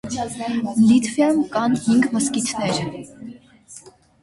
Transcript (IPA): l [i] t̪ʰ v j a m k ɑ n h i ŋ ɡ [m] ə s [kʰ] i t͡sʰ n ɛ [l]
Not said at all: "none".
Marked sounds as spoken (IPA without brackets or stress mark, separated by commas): i, m, k, ɾ